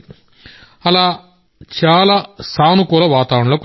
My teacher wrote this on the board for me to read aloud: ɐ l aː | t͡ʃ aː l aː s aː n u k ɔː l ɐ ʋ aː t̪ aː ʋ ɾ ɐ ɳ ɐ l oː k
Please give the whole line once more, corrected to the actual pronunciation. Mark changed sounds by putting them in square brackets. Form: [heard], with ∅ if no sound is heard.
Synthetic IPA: ɐ l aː | t͡ʃ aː l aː s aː n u k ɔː l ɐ ʋ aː t̪ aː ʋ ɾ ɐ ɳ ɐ l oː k